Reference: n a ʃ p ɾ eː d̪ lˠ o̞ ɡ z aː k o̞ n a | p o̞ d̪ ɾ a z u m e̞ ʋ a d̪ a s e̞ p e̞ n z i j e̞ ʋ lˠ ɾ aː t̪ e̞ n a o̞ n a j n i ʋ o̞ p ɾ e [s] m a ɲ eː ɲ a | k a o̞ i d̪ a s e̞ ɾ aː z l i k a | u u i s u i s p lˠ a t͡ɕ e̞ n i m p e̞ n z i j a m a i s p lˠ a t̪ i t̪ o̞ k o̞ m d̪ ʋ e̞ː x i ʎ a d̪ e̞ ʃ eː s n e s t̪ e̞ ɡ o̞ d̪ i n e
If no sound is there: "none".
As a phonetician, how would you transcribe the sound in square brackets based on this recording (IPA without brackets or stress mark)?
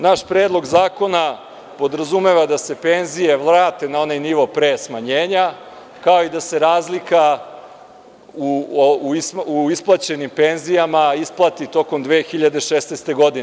s